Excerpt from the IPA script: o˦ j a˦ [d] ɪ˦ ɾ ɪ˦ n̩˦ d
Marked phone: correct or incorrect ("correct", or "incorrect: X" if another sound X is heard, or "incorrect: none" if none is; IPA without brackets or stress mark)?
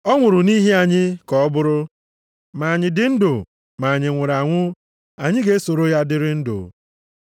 correct